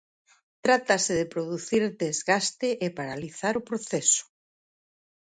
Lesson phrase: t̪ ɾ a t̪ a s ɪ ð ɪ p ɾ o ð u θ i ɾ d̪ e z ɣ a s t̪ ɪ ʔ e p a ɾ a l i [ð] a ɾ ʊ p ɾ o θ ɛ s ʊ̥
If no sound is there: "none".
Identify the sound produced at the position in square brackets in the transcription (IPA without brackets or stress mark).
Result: θ